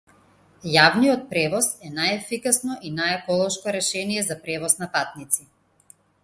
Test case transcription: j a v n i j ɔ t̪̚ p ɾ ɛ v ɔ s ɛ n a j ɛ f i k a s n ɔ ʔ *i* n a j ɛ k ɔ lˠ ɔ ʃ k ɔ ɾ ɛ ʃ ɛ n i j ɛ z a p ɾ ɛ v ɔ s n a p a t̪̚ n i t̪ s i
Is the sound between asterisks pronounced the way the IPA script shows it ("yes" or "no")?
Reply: yes